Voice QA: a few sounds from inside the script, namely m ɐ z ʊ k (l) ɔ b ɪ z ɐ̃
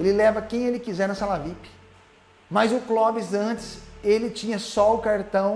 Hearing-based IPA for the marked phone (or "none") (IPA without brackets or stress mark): l